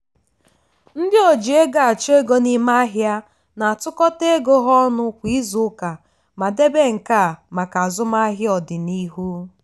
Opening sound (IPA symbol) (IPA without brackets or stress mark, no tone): n̩